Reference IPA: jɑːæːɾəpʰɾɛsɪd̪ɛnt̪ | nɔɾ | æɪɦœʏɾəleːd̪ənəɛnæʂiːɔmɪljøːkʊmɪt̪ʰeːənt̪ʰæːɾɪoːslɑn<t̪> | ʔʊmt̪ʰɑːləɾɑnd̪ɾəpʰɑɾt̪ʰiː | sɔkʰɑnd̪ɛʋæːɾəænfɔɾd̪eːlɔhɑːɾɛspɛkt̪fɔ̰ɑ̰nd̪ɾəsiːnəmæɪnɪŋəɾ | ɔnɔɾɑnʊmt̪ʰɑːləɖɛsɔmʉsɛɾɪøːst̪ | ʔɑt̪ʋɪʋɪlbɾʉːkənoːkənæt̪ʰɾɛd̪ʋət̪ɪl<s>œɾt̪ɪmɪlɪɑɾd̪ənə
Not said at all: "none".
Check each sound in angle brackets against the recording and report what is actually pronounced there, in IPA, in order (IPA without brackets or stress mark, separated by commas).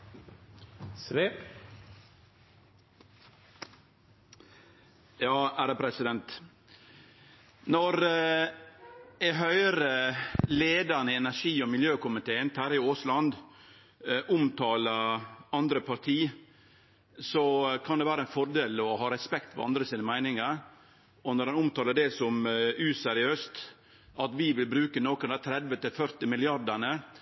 d̪, f